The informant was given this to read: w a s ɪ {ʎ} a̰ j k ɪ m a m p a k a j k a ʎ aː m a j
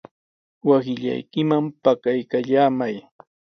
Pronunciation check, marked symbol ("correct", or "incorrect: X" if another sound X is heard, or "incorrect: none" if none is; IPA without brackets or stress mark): correct